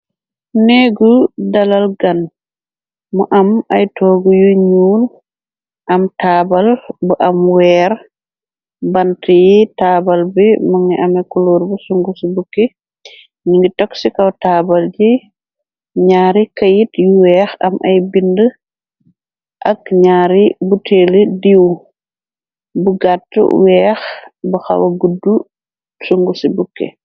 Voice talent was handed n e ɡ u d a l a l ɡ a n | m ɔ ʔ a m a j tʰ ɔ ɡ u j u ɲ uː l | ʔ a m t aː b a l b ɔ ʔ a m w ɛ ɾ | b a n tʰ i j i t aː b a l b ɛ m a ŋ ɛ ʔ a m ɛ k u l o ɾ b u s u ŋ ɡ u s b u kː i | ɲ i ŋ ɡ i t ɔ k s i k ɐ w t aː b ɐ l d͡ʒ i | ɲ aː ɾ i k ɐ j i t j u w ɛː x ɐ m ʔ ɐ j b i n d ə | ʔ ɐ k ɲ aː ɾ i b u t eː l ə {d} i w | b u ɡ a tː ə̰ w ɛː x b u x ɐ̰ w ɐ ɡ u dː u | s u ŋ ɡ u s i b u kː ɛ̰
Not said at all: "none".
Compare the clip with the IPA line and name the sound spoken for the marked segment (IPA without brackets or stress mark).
d